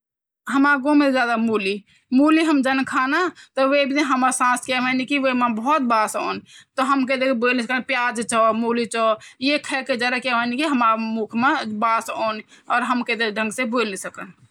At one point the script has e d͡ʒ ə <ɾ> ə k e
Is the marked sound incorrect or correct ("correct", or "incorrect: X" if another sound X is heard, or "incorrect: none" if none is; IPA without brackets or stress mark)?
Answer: correct